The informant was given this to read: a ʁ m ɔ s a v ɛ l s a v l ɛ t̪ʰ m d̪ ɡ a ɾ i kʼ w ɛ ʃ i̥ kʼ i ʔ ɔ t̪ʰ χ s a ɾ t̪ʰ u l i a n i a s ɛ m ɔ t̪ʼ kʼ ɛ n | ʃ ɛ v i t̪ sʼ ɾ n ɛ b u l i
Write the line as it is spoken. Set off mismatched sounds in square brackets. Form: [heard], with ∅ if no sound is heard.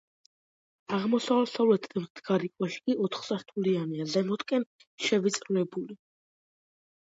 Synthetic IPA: a ʁ m ɔ s a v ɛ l s a v l ɛ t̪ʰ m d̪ ɡ a ɾ i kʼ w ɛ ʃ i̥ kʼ i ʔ ɔ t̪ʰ χ s a ɾ t̪ʰ u l i a n i a [z] ɛ m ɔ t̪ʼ kʼ ɛ n | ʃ ɛ v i t̪ sʼ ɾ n ɛ b u l i